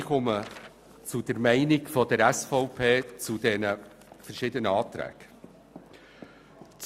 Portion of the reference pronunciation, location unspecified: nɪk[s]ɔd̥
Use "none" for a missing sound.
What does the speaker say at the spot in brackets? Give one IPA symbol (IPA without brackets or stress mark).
f